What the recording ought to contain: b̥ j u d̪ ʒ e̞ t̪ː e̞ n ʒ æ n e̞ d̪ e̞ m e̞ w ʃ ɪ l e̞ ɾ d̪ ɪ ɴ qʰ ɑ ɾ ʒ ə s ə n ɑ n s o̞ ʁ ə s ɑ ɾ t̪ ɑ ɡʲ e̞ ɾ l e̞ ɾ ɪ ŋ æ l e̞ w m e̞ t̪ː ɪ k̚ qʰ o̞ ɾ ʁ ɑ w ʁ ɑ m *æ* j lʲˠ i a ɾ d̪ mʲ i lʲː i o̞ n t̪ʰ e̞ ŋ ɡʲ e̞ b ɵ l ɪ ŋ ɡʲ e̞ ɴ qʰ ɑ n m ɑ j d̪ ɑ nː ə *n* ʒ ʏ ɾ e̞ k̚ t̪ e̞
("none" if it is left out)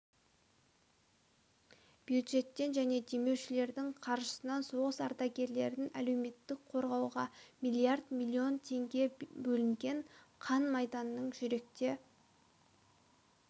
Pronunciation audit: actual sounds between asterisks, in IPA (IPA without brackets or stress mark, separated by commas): i, ɴ